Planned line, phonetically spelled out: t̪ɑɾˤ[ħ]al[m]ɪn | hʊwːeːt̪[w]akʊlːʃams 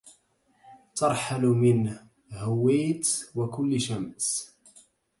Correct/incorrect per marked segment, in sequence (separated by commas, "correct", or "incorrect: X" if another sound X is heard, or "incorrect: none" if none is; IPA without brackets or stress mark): correct, correct, correct